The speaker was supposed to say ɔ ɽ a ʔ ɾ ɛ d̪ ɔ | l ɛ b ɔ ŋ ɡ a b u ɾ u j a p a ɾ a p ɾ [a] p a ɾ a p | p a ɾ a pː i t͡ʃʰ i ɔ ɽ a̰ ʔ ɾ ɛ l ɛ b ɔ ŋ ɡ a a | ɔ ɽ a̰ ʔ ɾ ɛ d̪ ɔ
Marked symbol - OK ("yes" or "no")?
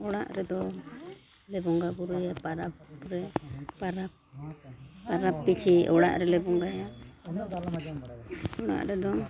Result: no